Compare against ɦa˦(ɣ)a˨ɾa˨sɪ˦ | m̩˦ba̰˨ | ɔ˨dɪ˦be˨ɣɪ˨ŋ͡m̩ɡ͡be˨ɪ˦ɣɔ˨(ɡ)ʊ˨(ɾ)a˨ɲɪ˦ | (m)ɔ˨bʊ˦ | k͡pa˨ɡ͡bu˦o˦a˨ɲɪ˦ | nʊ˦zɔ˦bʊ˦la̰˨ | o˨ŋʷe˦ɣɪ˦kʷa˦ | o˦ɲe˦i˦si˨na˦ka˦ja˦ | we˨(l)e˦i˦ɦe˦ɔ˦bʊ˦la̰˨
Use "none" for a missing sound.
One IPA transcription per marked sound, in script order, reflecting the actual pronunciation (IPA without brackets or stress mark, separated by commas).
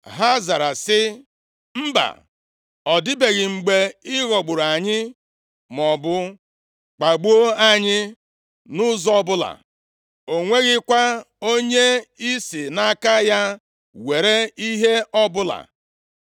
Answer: z, ɡ͡b, ɾ, m, ɾ